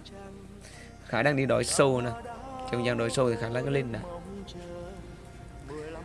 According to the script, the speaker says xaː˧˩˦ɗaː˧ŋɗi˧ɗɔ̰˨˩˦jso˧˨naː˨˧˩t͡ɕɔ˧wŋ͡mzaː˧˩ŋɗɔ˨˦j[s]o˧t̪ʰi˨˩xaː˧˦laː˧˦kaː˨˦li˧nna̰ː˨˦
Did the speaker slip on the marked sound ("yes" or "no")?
no